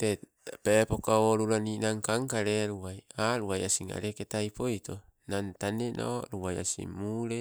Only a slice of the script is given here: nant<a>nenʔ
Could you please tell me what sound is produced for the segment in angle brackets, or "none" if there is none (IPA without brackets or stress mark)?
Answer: a